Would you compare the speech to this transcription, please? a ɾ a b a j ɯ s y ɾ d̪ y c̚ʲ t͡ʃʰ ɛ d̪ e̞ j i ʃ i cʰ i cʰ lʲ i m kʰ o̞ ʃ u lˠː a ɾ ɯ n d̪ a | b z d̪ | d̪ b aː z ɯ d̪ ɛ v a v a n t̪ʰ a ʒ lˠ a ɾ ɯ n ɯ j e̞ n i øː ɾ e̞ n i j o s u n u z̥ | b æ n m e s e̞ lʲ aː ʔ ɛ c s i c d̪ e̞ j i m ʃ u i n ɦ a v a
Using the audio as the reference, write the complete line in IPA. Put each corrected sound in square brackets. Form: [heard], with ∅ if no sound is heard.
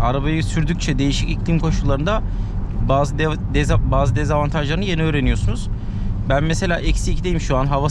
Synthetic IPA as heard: a ɾ a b a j ɯ s y ɾ d̪ y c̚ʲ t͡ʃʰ ɛ d̪ e̞ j i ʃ i [c] i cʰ lʲ i m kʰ o̞ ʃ u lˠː a ɾ ɯ n d̪ a | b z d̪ | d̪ b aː z ɯ d̪ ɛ [z] a v a n t̪ʰ a ʒ lˠ a ɾ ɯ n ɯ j e̞ n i øː ɾ e̞ n i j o s u n u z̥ | b æ n m e s e̞ lʲ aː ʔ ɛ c s i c d̪ e̞ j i m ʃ u [a] n ɦ a v a

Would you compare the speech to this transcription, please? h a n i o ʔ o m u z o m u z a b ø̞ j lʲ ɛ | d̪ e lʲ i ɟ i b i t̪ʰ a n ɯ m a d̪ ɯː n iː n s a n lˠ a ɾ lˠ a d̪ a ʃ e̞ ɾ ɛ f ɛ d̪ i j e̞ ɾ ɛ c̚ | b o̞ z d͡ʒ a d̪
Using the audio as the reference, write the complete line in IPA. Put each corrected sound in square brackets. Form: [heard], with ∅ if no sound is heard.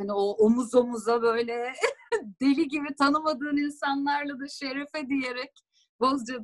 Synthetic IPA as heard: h a n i o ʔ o m u z o m u z a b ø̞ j lʲ ɛ | d̪ e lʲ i ɟ i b i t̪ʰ a n ɯ m a d̪ ɯː n [i] n s a n lˠ a ɾ lˠ a d̪ a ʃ e̞ ɾ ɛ f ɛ d̪ i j e̞ ɾ ɛ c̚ | b o̞ z d͡ʒ a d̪

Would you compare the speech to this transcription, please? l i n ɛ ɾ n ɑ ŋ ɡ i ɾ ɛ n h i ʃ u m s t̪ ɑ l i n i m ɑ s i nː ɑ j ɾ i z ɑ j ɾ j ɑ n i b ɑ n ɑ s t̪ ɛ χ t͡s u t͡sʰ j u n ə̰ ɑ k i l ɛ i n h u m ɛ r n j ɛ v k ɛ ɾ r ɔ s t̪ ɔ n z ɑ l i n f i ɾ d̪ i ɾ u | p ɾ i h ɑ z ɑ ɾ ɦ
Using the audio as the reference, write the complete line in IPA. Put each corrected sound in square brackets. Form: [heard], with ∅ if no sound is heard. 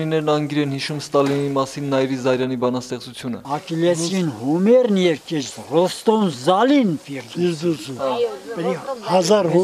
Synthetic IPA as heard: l i n ɛ ɾ n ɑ ŋ ɡ i ɾ ɛ n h i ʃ u m s t̪ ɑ l i n i m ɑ s i nː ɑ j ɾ i z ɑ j ɾ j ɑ n i b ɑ n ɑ s t̪ ɛ χ t͡s u t͡sʰ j u n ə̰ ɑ k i l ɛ i n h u m ɛ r n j ɛ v k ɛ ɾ r ɔ s t̪ ɔ n z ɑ l i n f i ɾ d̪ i ɾ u | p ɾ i h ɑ z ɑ ɾ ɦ

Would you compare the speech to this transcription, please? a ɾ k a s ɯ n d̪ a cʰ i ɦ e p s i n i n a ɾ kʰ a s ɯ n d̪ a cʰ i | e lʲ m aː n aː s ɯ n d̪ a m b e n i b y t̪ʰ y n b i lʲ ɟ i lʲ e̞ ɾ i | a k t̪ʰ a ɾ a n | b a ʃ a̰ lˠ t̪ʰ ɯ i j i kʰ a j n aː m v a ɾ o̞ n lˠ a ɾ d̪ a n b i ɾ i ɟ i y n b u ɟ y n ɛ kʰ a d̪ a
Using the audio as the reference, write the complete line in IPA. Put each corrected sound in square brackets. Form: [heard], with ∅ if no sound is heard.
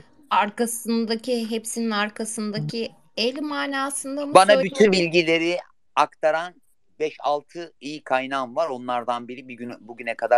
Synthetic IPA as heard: a ɾ k a s ɯ n d̪ a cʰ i ɦ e p s i n i n a ɾ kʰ a s ɯ n d̪ a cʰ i | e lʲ m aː n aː s ɯ n d̪ a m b [a] n [a] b y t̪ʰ y n b i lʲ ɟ i lʲ e̞ ɾ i | a k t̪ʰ a ɾ a n | b [ɛ] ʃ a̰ lˠ t̪ʰ ɯ i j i kʰ a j n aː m v a ɾ o̞ n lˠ a ɾ d̪ a n b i ɾ i [b] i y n b u ɟ y n ɛ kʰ a d̪ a

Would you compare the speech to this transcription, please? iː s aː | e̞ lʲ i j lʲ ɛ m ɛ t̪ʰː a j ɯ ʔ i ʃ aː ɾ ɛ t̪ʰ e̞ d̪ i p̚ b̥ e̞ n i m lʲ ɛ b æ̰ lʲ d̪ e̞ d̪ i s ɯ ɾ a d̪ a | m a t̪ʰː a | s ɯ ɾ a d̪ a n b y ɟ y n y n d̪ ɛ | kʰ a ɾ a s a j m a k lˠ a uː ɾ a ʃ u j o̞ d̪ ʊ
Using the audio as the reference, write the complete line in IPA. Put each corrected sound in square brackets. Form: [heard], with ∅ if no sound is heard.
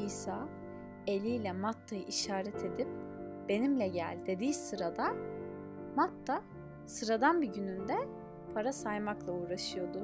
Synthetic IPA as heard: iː s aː | e̞ lʲ i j lʲ ɛ m [a] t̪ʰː a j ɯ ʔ i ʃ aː ɾ ɛ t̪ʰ e̞ d̪ i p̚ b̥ e̞ n i m lʲ ɛ [ɟ] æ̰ lʲ d̪ e̞ d̪ [iː] s ɯ ɾ a d̪ a | m a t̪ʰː a | s ɯ ɾ a d̪ a n b [i] ɟ y n y n d̪ ɛ | [pʰ] a ɾ a s a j m a k lˠ a uː ɾ a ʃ [ɯ] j o̞ d̪ ʊ

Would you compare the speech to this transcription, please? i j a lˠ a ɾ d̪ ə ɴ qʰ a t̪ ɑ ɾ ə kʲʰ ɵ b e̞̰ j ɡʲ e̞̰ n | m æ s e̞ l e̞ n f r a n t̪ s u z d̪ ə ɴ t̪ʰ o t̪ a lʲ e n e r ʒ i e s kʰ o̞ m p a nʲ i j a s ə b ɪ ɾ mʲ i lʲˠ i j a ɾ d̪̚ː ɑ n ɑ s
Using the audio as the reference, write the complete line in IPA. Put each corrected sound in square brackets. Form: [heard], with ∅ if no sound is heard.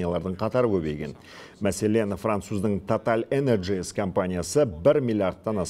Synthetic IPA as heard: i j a lˠ [ɑ] ɾ d̪ ə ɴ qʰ [ɑ] t̪ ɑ ɾ ə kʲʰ ɵ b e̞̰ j ɡʲ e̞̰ n | m æ s e̞ l e̞ n f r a n t̪ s u z d̪ ə ɴ t̪ʰ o t̪ a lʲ e n e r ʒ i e s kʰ o̞ m p a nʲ i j a s ə b ɪ ɾ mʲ i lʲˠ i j a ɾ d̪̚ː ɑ n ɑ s

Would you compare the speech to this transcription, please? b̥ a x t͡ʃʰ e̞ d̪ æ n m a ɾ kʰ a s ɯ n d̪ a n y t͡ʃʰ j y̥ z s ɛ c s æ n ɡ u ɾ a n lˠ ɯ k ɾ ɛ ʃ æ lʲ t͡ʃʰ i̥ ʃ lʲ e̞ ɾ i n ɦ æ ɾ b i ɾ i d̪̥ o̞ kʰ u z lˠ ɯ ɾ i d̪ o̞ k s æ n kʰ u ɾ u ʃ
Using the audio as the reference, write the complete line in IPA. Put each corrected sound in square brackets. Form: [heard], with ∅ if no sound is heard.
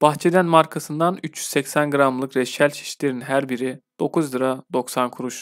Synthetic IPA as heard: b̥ a x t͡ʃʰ e̞ d̪ æ n m a ɾ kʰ a s ɯ n d̪ a n y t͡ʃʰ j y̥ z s ɛ c s æ n ɡ [ɯ] ɾ a [m] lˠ ɯ k ɾ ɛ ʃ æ lʲ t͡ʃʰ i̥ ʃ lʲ e̞ ɾ i n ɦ æ ɾ b i ɾ i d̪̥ o̞ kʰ u z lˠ ɯ ɾ [a] d̪ o̞ k s [a] n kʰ u ɾ u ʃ

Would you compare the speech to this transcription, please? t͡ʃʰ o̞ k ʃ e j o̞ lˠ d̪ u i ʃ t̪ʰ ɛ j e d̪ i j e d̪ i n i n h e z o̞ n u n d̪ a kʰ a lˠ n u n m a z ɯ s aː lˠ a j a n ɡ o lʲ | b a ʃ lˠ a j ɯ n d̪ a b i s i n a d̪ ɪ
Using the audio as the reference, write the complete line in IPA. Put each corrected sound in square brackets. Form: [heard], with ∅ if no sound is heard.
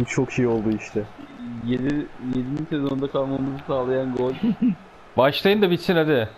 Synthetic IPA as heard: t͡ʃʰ o̞ k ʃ e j o̞ lˠ d̪ u i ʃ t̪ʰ ɛ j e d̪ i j e d̪ i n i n [s] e z o̞ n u n d̪ a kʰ a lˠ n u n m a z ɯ s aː lˠ a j a n ɡ o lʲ | b a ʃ lˠ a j ɯ n d̪ a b i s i n a d̪ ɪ

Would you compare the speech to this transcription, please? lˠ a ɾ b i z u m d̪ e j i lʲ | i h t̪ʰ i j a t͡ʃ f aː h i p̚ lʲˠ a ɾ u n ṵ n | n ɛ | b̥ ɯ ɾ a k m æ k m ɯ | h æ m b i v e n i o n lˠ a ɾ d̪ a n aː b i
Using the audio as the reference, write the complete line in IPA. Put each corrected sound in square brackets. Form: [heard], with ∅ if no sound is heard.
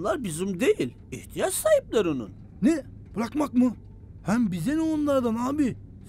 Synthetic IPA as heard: lˠ a ɾ b i z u m d̪ e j i lʲ | i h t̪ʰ i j a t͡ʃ [s] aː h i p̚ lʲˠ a ɾ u n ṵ n | n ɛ | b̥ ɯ ɾ a k m [a] k m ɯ | h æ m b i [z] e n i o n lˠ a ɾ d̪ a n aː b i

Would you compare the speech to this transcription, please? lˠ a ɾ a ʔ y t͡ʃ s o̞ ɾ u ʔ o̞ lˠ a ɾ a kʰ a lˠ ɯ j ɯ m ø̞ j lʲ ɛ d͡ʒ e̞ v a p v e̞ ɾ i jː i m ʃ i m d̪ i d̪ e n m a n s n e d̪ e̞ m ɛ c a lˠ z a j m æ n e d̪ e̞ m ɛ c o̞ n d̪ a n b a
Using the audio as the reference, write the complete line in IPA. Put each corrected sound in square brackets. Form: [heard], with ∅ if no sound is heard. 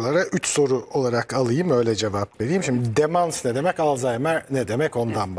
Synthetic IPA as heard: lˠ a ɾ a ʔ y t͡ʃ s o̞ ɾ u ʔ o̞ lˠ a ɾ a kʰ a lˠ ɯ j ɯ m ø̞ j lʲ ɛ d͡ʒ e̞ v a p v e̞ ɾ i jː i m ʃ i m d̪ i d̪ e [∅] m a n s n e d̪ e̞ m ɛ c a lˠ z a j m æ n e d̪ e̞ m ɛ c o̞ n d̪ a n b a

